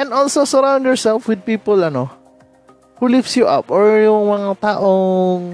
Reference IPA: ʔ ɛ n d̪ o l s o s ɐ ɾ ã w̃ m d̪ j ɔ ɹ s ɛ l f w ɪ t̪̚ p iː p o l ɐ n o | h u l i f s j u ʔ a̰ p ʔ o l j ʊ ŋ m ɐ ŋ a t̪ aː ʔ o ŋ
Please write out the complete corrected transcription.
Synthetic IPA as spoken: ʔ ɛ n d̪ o l s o s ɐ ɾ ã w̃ n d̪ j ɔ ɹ s ɛ l f w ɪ d̪̚ p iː p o l ɐ n o | h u l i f s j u ʔ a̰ p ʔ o ɹ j ʊ ŋ m ɐ ŋ a t̪ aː ʔ o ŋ